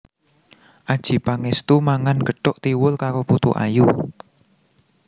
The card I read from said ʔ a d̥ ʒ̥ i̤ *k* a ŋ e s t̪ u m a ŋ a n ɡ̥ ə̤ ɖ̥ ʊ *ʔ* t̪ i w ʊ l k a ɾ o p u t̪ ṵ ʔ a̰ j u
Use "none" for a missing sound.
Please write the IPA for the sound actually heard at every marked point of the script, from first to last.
p, ʔ

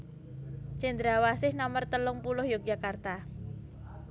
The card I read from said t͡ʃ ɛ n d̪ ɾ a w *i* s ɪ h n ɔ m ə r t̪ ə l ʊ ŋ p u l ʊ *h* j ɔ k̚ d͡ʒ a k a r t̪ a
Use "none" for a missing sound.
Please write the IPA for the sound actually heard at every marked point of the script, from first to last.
a, h

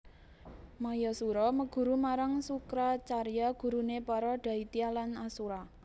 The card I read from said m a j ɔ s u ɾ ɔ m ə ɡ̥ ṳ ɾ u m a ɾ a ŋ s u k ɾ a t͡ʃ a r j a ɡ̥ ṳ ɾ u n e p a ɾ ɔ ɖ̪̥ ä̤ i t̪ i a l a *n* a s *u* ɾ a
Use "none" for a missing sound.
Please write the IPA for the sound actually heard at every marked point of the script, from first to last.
n, u

